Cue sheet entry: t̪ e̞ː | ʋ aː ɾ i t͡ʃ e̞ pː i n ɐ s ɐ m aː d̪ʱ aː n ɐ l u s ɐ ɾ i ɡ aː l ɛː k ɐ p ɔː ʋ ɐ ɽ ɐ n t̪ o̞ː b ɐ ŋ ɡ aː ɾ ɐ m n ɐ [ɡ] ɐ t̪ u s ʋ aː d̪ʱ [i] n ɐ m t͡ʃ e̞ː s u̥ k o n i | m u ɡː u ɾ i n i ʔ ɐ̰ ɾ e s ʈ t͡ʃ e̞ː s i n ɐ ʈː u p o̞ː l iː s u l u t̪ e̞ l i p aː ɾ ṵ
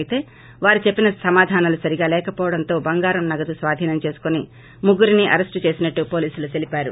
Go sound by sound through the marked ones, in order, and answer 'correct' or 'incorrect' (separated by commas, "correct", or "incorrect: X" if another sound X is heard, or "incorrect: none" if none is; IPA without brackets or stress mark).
correct, incorrect: iː